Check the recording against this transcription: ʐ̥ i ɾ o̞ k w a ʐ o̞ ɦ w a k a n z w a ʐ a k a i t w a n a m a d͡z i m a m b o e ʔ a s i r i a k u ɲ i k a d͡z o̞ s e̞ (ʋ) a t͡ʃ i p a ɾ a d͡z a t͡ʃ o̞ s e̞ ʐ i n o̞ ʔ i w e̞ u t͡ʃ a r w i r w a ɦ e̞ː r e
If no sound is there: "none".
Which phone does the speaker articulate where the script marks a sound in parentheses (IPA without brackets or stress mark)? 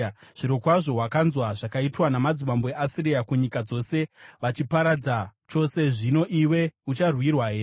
ʋ